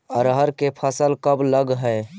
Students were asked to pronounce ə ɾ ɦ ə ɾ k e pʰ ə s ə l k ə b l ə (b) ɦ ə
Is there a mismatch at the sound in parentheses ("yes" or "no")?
yes